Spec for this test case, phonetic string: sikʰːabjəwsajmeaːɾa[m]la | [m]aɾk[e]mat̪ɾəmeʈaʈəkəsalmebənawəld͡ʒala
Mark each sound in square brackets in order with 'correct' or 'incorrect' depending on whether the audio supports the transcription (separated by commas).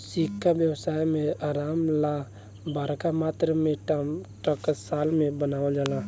correct, incorrect, incorrect